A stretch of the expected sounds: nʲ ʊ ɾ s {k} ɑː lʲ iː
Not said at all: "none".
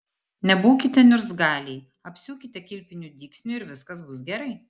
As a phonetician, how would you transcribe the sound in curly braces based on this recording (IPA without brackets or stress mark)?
ɡ